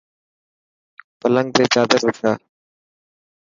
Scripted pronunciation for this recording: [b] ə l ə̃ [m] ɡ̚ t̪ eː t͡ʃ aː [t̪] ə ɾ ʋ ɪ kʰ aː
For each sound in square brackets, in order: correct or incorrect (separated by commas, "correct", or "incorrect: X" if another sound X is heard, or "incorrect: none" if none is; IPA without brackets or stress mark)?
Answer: incorrect: p, incorrect: ŋ, incorrect: d̪